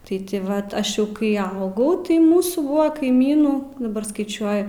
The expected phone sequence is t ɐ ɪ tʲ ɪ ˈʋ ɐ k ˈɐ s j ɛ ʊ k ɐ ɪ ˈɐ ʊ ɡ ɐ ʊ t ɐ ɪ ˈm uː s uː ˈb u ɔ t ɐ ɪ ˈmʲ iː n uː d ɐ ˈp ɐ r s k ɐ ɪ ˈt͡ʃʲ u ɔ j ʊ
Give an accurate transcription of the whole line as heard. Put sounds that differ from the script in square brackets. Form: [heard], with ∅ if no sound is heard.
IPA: t ɐ ɪ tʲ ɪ ˈʋ ɐ [t] ˈɐ [ʃ] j ɛ ʊ k ɐ ɪ ˈɐ ʊ ɡ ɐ ʊ t ɐ ɪ ˈm uː s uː ˈb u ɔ [k] ɐ ɪ ˈmʲ iː n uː d ɐ [ˈb] ɐ r s k ɐ ɪ ˈt͡ʃʲ u ɔ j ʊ